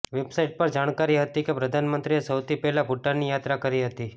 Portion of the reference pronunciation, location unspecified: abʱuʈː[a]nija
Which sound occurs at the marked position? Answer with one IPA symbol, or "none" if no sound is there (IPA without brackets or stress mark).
a